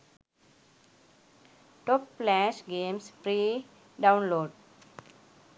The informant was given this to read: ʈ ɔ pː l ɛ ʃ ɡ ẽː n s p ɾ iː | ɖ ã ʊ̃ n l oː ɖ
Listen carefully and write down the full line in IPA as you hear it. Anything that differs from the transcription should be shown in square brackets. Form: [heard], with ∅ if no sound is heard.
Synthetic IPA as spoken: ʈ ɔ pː l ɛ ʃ ɡ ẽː [m] s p ɾ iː | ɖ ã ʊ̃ n l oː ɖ